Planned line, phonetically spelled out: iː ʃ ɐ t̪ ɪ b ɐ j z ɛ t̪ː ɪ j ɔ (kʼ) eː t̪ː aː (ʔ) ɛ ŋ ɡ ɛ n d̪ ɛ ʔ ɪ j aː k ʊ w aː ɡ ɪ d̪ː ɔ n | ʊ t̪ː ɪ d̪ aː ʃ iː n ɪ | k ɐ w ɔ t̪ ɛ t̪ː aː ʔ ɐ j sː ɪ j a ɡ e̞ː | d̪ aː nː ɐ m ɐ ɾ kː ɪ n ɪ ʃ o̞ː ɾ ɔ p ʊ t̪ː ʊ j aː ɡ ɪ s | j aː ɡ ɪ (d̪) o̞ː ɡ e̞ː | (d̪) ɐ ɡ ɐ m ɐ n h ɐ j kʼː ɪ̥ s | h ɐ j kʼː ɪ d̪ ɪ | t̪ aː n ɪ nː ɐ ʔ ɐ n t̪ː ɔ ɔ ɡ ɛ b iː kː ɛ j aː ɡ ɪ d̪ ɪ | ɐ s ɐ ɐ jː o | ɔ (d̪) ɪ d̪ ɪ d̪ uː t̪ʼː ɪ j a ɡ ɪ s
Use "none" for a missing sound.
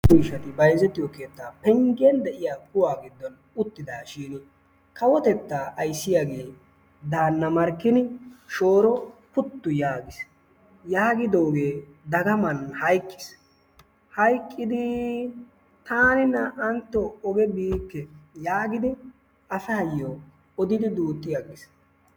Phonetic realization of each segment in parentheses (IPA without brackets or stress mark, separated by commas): k, p, d̪, d̪, d̪